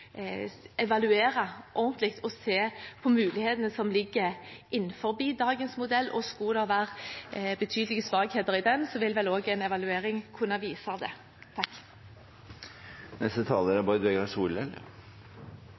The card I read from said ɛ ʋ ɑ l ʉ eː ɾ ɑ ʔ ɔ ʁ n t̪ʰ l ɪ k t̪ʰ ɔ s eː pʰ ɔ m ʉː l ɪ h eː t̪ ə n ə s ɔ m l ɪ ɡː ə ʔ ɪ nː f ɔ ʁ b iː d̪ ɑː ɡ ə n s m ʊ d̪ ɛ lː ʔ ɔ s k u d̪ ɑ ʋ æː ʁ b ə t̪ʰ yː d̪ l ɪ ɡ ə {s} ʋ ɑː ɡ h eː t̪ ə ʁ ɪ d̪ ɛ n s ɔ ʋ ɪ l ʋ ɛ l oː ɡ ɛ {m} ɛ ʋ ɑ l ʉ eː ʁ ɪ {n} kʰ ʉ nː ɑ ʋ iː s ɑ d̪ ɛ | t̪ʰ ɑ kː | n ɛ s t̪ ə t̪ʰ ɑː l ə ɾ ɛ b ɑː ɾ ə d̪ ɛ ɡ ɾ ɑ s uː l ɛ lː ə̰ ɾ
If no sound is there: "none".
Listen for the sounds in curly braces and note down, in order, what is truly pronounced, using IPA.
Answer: s, n, ŋ

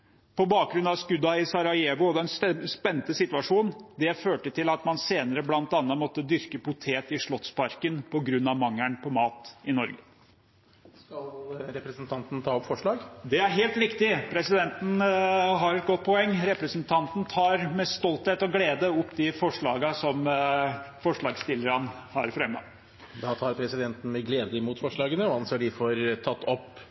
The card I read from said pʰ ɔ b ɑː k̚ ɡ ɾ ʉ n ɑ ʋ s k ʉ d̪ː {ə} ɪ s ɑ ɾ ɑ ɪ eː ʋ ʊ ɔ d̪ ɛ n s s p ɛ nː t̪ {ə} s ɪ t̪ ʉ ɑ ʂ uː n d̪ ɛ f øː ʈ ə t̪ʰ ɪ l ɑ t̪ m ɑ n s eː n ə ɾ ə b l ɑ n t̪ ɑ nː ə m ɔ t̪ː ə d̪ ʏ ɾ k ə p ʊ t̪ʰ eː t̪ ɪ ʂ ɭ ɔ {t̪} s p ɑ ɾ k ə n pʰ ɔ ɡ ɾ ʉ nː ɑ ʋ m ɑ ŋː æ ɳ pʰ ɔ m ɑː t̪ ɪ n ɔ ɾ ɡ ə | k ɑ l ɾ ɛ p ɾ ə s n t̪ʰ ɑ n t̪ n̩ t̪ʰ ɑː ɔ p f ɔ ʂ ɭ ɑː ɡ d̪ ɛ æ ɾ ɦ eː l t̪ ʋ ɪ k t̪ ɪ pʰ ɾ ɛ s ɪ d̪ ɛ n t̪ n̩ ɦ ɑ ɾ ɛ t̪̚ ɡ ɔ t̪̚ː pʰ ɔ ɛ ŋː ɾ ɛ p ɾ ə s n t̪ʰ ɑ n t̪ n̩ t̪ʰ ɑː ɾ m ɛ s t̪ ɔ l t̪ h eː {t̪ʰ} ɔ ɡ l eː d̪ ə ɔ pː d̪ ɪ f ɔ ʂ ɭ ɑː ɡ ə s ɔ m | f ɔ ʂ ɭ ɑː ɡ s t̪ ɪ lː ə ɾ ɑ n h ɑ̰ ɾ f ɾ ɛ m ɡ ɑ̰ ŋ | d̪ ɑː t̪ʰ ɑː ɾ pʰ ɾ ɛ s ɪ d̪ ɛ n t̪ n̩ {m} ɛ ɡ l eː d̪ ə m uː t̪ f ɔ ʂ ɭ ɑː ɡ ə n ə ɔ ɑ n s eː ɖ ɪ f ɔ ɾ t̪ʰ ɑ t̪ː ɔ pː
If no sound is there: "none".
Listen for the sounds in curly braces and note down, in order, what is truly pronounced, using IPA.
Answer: ɑ, ə, t̪, t̪, m

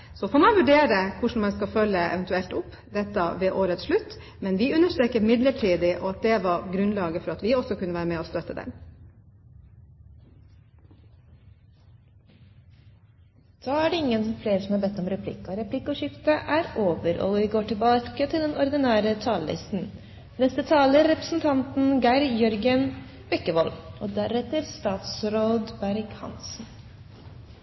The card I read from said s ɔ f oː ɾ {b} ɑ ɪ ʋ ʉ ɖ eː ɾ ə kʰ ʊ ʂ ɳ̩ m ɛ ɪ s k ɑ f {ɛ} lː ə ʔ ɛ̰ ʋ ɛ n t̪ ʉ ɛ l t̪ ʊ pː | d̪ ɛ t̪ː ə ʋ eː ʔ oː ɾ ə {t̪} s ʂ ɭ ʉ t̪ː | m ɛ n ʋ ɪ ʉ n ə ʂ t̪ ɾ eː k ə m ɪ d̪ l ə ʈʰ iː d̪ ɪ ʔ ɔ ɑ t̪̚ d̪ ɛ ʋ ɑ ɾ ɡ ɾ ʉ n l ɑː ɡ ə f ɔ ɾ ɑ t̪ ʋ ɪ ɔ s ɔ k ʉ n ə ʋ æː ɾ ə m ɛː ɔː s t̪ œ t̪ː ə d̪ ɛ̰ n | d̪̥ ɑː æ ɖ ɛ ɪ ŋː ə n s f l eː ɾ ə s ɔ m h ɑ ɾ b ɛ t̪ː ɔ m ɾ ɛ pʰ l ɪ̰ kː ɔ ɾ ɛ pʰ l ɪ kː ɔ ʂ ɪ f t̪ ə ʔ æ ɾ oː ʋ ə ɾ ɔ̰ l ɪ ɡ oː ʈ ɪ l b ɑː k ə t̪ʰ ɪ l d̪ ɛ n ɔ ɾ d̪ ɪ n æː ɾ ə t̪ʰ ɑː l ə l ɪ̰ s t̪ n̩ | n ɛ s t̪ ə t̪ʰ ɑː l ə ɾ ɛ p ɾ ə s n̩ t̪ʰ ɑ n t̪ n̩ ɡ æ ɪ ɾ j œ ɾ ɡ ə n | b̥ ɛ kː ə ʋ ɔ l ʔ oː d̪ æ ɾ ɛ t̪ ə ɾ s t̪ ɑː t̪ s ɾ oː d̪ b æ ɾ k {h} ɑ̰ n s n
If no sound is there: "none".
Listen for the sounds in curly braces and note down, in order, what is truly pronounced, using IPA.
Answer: m, œ, t̪, h

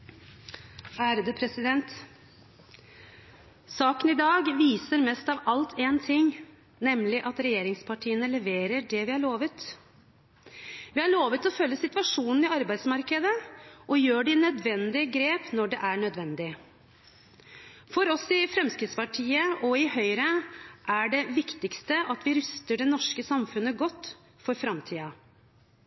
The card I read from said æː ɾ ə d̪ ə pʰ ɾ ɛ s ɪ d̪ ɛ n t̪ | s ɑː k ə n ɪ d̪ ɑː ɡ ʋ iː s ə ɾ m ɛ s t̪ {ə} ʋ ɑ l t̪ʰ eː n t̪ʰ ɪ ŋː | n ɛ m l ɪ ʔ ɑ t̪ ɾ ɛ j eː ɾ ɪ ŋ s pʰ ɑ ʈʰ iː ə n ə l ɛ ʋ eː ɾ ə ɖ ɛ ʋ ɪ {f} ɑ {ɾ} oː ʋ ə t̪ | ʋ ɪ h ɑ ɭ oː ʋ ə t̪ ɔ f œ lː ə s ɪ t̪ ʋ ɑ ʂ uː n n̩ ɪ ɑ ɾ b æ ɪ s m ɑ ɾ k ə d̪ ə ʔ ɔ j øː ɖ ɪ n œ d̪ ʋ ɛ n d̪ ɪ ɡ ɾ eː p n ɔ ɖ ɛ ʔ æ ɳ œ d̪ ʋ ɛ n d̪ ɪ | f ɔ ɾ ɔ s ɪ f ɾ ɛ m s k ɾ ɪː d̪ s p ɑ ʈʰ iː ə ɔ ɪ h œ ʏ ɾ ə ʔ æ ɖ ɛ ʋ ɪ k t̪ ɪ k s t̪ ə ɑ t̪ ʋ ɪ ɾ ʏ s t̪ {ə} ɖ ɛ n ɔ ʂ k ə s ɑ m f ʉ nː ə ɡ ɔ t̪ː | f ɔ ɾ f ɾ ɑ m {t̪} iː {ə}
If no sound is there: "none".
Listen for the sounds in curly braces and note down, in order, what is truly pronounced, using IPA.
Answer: ɑ, h, ɭ, ə, t̪ʰ, ɑ

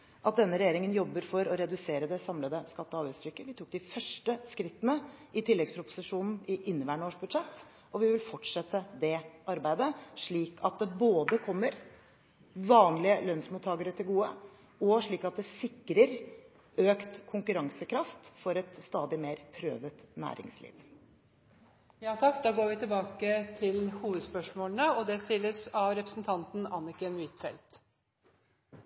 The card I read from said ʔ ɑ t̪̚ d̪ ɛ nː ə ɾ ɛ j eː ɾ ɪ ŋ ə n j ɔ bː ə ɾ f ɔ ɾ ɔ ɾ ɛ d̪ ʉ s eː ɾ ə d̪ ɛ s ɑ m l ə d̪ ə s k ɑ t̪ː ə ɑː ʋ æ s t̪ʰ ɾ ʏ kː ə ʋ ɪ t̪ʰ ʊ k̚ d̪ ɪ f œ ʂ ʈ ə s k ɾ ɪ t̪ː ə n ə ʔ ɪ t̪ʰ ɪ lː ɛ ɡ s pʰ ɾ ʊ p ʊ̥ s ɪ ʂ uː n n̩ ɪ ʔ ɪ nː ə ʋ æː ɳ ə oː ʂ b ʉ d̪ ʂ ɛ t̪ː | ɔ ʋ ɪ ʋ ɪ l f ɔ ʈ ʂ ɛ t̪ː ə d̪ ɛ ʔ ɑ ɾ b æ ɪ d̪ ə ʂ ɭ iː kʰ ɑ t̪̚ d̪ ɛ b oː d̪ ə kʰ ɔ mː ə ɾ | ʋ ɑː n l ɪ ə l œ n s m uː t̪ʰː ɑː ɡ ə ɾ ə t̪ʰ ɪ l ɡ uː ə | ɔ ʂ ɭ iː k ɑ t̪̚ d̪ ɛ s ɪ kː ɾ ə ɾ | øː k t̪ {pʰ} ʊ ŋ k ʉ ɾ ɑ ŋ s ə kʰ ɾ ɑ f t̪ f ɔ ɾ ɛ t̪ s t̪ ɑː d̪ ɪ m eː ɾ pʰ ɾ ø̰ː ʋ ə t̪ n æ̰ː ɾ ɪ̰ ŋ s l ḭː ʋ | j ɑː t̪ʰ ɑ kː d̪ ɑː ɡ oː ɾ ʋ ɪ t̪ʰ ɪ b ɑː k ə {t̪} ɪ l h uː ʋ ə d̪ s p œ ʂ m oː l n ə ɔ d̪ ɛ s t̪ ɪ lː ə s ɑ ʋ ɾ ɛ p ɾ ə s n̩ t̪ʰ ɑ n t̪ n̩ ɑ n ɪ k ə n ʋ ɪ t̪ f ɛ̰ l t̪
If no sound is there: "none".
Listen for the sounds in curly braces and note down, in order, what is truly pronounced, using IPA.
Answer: kʰ, t̪ʰ

